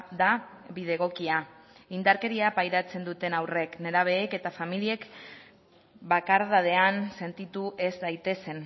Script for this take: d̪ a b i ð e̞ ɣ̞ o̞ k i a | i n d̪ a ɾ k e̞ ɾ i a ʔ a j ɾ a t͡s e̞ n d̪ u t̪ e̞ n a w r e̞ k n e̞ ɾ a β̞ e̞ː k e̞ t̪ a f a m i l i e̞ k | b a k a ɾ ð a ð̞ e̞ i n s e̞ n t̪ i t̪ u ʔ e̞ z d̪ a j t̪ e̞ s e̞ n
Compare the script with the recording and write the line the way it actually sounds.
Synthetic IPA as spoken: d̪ a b i ð e̞ ɣ̞ o̞ k i a | i n d̪ a ɾ k e̞ ɾ i a p a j ɾ a t͡s e̞ n d̪ u t̪ e̞ n a w r e̞ k n e̞ ɾ a β̞ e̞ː k e̞ t̪ a f a m i l i e̞ k | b a k a ɾ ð a ð̞ e̞ a n s e̞ n t̪ i t̪ u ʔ e̞ z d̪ a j t̪ e̞ s e̞ n

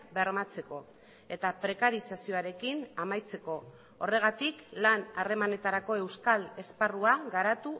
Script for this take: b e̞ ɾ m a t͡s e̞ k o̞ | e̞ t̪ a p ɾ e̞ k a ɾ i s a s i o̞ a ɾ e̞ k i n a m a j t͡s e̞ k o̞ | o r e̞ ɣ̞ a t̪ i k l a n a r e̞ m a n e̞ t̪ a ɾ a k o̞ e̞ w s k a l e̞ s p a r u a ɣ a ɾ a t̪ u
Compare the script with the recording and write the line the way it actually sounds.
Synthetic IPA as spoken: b e̞ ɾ m a t͡s e̞ k o̞ | e̞ t̪ a p ɾ e̞ k a ɾ i s a s i o̞ a ɾ e̞ k i n a m a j t͡s e̞ k o̞ | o r e̞ ɣ̞ a t̪ i k l a n a r e̞ m a n e̞ t̪ a ɾ a k o̞ e̞ w s k a l e̞ s p a r u a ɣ a ɾ a t̪ u

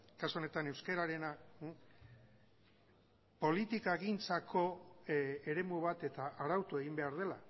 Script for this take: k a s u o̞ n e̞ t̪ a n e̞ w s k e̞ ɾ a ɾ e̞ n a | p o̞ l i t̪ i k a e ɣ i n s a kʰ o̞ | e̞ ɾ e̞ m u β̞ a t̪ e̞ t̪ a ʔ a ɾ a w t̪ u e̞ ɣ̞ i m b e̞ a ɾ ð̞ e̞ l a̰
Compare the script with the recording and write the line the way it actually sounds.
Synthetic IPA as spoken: k a s u o̞ n e̞ t̪ a n e̞ w s k e̞ ɾ a ɾ e̞ n a | p o̞ l i t̪ i k a e ɣ i n t͡s a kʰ o̞ | e̞ ɾ e̞ m u β̞ a t̪ e̞ t̪ a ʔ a ɾ a w t̪ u e̞ ɣ̞ i m b e̞ a ɾ ð̞ e̞ l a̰

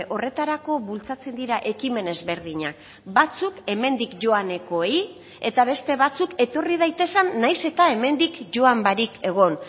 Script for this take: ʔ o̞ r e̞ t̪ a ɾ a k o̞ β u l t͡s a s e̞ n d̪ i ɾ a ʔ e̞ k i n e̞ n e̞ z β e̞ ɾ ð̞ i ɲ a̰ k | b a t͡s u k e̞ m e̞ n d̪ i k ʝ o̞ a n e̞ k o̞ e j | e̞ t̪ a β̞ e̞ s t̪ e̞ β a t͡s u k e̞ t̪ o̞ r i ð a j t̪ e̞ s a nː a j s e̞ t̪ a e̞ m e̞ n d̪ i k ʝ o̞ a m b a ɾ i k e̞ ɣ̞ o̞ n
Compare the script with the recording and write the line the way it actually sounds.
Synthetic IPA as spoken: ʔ o̞ r e̞ t̪ a ɾ a k o̞ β u l t͡s a t͡s e̞ n d̪ i ɾ a ʔ e̞ k i m e̞ n e̞ z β e̞ ɾ ð̞ i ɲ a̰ k | b a t͡s u k e̞ m e̞ n d̪ i k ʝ o̞ a n e̞ k o̞ e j | e̞ t̪ a β̞ e̞ s t̪ e̞ β a t͡s u k e̞ t̪ o̞ r i ð a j t̪ e̞ s a nː a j s e̞ t̪ a e̞ m e̞ n d̪ i k ʝ o̞ a m b a ɾ i k e̞ ɣ̞ o̞ n

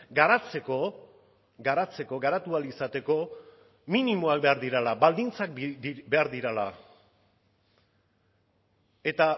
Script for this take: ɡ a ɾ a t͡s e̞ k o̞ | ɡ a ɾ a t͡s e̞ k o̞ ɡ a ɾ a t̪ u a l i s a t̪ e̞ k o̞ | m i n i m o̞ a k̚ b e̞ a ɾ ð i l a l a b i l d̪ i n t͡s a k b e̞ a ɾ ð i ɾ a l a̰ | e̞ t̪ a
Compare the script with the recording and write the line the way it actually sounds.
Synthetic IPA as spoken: ɡ a ɾ a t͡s e̞ k o̞ | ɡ a ɾ a t͡s e̞ k o̞ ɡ a ɾ a t̪ u a l i s a t̪ e̞ k o̞ | m i n i m o̞ a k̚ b e̞ a ɾ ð i ɾ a l a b a l d̪ i n t͡s a k b e̞ a ɾ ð i ɾ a l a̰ | e̞ t̪ a

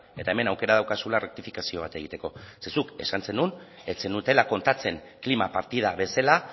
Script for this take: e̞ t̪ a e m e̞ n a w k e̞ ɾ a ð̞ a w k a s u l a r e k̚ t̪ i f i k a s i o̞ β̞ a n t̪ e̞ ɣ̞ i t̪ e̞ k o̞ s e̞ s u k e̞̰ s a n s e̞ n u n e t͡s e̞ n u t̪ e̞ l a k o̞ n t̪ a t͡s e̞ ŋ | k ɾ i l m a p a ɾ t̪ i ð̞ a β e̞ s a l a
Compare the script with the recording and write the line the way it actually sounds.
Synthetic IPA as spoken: e̞ t̪ a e m e̞ n a w k e̞ ɾ a ð̞ a w k a s u l a r e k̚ t̪ i f i k a s i o̞ β̞ a t̪ e̞ ɣ̞ i t̪ e̞ k o̞ s e̞ s u k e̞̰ s a n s e̞ n u n e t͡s e̞ n u t̪ e̞ l a k o̞ n t̪ a t͡s e̞ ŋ | k l i m a p a ɾ t̪ i ð̞ a β e̞ s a l a

